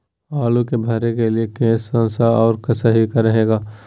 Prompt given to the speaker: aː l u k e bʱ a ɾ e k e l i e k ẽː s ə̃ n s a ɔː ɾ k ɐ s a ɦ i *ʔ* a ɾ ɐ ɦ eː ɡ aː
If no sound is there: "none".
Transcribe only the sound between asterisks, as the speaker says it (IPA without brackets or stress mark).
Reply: k